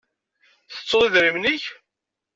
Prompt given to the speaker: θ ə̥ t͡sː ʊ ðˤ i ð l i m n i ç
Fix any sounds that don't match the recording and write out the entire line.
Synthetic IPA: θ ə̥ t͡sː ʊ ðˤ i ð ɾ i m n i ç